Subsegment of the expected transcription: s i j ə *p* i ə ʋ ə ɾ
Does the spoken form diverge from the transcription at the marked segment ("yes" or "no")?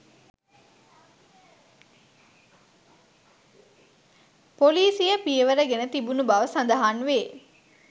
no